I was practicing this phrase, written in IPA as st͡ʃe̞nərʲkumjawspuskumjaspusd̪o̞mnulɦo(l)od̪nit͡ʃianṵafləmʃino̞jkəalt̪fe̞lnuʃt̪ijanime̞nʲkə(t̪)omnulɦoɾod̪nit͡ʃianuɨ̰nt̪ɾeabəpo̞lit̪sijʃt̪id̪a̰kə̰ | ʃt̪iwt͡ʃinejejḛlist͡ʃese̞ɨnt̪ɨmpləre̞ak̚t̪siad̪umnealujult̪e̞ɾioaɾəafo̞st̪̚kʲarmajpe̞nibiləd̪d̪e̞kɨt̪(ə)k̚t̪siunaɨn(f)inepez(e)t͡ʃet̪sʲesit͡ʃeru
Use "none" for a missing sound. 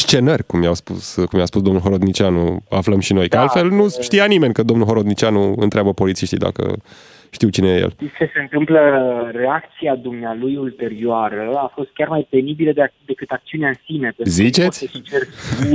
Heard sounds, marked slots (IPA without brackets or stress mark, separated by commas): ɾ, d̪, a, s, i